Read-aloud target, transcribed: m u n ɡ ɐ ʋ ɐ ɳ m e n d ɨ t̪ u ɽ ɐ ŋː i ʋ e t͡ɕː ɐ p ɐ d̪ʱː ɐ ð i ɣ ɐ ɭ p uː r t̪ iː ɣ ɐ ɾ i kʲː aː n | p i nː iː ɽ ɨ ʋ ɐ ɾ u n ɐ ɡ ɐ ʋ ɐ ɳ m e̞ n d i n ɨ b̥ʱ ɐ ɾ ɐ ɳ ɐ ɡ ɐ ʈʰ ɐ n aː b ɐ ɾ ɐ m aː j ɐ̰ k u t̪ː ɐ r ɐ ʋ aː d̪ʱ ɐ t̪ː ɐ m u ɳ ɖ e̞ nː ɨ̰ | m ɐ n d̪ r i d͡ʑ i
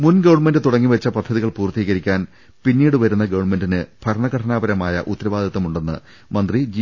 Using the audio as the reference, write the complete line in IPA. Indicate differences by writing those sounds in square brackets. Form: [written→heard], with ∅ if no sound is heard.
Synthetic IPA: m u n ɡ ɐ ʋ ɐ ɳ m e n d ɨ t̪ u ɽ ɐ ŋː i ʋ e t͡ɕː ɐ p ɐ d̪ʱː ɐ ð i ɣ ɐ ɭ p uː r t̪ iː ɣ ɐ ɾ i kʲː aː n | p i nː iː ɽ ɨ ʋ ɐ ɾ u [n→nː] ɐ ɡ ɐ ʋ ɐ ɳ m e̞ n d i n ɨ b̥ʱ ɐ ɾ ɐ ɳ ɐ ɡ ɐ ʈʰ ɐ n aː b ɐ ɾ ɐ m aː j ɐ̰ [k→ʔ] u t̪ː ɐ [r→ɾ] ɐ ʋ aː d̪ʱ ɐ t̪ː ɐ m u ɳ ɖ e̞ nː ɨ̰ | m ɐ n d̪ r i d͡ʑ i